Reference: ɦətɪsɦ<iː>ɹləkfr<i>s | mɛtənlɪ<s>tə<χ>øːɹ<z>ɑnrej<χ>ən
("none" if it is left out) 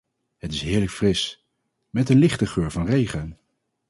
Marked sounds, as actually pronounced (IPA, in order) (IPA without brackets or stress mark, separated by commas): ɪː, ɪ, χ, χ, v, χ